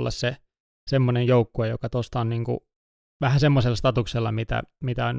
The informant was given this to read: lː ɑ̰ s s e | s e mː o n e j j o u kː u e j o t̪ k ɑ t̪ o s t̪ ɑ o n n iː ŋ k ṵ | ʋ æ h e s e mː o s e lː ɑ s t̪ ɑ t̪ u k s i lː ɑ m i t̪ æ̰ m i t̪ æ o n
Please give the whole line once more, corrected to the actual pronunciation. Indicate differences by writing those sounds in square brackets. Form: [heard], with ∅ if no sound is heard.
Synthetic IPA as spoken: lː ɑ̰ s s e | s e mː o n e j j o u kː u e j o [∅] k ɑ t̪ o s t̪ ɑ o n n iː ŋ k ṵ | ʋ æ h [æ] s e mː o s e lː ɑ s t̪ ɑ t̪ u k s [e] lː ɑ m i t̪ æ̰ m i t̪ æ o n